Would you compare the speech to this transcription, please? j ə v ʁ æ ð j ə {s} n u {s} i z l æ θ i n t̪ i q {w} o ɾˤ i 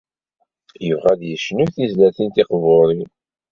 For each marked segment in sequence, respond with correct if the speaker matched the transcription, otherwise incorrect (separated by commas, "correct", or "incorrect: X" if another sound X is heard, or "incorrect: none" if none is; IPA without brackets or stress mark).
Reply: incorrect: ʃ, incorrect: θ, incorrect: v